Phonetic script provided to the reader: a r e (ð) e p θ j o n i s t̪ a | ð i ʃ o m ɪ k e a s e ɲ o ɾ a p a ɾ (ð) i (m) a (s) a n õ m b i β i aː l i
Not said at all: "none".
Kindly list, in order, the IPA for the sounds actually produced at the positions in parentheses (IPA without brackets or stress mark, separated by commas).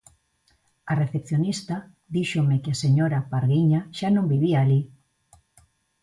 θ, ɣ, ɲ, ʃ